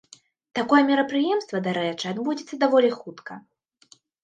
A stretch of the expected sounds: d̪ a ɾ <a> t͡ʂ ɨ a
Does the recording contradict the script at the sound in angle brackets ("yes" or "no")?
yes